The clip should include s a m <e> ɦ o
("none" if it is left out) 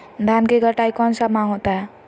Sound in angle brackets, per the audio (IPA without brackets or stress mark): a